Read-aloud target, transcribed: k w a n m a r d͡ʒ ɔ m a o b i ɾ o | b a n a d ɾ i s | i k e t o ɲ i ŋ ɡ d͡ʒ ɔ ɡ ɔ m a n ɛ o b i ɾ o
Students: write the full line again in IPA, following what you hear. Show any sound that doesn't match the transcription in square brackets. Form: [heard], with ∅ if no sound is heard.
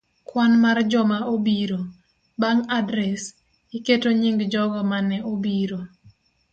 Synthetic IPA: k w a n m a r d͡ʒ ɔ m a o b i ɾ o | b a [ŋ] a d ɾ [ɛ] s | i k e t o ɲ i ŋ ɡ d͡ʒ ɔ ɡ ɔ m a n ɛ o b i ɾ o